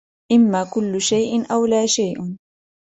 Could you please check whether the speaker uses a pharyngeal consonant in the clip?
no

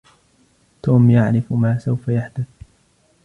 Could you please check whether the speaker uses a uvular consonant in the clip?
no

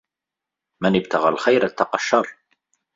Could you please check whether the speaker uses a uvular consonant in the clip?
yes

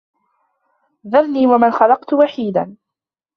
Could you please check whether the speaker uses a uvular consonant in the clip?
yes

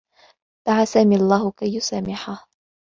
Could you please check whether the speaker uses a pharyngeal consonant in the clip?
yes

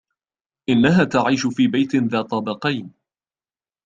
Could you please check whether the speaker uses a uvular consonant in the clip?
yes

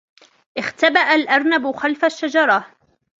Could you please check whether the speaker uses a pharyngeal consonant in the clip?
no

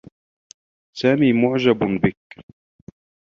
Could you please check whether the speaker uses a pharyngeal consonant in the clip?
yes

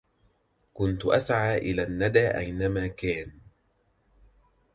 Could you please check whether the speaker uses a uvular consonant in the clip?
no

